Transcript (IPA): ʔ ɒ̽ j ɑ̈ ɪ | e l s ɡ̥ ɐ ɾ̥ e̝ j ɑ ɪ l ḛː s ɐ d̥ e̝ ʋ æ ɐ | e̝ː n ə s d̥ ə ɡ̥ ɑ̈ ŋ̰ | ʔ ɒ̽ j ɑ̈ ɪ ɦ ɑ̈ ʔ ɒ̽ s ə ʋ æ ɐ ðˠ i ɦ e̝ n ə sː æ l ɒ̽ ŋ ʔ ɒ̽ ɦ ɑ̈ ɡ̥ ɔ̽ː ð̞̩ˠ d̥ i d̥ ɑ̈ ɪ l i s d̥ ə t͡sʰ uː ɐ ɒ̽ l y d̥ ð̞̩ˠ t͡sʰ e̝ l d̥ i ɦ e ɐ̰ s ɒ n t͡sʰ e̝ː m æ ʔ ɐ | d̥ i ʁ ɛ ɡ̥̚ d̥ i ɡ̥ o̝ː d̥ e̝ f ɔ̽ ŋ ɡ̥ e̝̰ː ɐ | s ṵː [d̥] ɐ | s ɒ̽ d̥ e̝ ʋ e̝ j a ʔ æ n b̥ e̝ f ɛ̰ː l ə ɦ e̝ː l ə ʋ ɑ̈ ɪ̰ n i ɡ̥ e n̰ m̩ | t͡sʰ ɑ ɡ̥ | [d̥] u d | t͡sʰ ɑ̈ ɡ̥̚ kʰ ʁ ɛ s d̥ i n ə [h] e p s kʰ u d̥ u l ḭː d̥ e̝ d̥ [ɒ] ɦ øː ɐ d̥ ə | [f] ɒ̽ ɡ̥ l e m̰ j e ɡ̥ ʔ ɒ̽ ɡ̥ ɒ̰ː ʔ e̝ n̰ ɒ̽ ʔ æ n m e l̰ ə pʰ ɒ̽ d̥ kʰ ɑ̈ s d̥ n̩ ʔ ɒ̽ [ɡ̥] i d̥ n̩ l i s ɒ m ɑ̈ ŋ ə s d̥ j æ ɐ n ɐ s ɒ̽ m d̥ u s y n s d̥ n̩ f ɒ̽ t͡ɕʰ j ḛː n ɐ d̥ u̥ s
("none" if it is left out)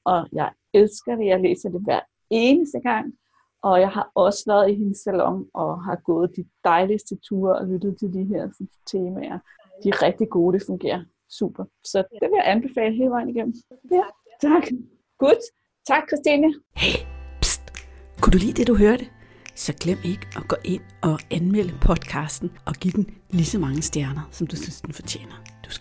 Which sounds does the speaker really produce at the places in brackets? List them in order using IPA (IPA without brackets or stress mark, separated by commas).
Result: b̥, ɡ̥, h, u, s, ɡ̥